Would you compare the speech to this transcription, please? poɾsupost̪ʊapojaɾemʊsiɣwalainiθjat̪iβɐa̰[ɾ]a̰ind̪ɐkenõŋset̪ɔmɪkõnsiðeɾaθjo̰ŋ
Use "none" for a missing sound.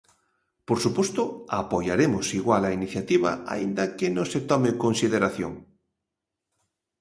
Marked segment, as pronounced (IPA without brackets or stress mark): none